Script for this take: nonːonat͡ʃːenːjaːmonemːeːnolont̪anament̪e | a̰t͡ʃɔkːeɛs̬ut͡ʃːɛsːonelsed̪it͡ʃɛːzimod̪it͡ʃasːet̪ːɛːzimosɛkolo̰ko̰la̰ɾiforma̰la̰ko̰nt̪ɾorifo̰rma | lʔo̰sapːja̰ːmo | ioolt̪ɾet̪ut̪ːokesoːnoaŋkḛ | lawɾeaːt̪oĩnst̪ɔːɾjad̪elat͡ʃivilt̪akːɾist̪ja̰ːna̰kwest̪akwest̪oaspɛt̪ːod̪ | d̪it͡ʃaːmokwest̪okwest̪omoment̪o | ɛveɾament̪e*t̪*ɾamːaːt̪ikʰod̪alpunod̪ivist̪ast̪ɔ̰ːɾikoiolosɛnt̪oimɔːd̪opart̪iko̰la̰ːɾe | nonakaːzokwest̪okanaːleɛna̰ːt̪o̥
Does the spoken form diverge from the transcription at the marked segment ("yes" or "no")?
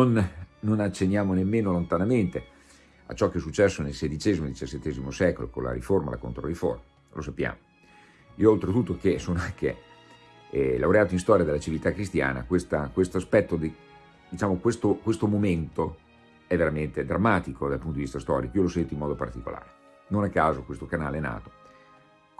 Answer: yes